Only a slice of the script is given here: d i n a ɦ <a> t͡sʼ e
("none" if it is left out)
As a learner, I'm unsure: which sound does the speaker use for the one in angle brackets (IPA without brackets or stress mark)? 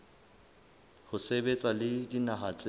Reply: a